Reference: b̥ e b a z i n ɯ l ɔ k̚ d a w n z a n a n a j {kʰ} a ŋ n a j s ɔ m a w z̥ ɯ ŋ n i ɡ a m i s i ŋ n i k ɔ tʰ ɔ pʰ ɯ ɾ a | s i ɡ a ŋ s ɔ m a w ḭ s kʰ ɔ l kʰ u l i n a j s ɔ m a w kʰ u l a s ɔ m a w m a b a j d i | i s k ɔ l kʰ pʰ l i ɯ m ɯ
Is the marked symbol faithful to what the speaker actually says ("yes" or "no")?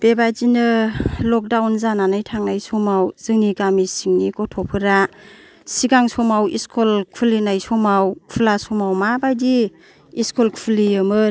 no